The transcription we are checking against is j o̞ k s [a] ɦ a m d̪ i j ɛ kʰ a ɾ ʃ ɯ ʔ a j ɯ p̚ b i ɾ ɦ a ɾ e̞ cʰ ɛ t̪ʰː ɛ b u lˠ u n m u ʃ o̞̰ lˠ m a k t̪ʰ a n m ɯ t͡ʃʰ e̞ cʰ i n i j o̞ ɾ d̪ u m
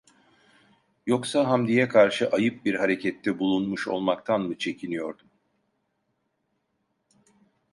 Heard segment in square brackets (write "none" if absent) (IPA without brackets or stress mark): a